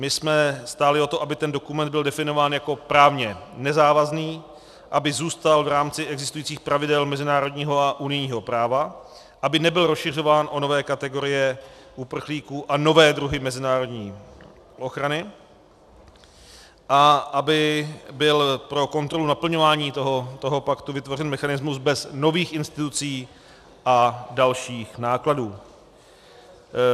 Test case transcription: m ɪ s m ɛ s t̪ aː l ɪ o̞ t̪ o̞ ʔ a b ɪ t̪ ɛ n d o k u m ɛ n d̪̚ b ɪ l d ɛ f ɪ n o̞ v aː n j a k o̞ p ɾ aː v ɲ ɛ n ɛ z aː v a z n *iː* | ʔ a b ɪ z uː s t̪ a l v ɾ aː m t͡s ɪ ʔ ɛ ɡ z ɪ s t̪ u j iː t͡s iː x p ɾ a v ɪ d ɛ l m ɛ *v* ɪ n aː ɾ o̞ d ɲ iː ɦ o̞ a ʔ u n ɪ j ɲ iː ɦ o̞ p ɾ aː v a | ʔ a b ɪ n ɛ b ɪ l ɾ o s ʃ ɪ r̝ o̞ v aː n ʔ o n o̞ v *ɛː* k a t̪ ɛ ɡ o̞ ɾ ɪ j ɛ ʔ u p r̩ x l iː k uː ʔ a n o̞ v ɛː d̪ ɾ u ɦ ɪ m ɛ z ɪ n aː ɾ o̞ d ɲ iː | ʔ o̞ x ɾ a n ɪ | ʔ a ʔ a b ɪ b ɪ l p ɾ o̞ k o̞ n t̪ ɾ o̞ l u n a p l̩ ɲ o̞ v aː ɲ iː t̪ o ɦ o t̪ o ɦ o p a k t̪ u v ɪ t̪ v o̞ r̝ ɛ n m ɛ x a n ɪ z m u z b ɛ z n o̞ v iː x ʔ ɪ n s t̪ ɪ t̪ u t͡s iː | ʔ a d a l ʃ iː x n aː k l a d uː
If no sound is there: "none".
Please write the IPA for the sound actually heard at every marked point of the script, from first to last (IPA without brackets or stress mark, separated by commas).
iː, z, ɛː